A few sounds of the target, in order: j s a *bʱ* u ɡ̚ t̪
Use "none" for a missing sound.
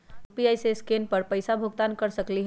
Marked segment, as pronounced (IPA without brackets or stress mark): bʱ